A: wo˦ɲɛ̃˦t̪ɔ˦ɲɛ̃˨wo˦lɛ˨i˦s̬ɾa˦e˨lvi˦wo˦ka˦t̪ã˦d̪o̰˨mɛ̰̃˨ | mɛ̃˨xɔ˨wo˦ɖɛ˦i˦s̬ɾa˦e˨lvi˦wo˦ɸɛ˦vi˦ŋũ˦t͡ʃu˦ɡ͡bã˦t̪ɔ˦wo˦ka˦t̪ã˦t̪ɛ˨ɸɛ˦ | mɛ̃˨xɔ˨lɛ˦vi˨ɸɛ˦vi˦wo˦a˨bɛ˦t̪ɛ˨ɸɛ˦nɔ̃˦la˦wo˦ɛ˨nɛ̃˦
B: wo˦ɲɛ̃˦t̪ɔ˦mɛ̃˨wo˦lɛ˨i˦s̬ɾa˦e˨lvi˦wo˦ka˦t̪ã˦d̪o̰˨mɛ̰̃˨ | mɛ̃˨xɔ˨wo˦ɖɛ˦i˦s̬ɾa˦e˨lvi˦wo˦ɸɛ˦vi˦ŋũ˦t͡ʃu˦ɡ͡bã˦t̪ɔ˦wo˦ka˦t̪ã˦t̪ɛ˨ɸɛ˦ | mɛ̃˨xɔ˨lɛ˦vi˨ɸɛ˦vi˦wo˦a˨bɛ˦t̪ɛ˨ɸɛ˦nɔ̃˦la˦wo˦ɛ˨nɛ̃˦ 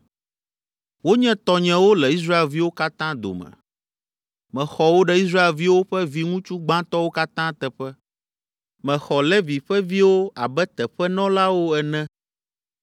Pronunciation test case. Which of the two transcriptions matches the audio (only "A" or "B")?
A